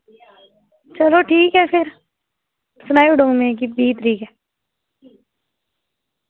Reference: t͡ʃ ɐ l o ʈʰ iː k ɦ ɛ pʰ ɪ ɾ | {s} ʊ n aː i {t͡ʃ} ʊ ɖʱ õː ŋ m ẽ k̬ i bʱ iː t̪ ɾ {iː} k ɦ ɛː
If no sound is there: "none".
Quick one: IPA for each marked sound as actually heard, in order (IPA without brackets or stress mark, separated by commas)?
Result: s, none, iː